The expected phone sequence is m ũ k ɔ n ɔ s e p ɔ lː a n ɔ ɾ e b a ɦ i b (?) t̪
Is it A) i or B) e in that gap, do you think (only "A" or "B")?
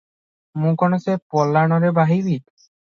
A